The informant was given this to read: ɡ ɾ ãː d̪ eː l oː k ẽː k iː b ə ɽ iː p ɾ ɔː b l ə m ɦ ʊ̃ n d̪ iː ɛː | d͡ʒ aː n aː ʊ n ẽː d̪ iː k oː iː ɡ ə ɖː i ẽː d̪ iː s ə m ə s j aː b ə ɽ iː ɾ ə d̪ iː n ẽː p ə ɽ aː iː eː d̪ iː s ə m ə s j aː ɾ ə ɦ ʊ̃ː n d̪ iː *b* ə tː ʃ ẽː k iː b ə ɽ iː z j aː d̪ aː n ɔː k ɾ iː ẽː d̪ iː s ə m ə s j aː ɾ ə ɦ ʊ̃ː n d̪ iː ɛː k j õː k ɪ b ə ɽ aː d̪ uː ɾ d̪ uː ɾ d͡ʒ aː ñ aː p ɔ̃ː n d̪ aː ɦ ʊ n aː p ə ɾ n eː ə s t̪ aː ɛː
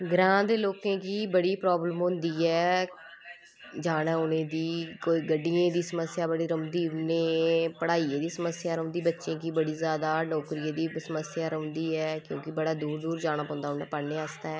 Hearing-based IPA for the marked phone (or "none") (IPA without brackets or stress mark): b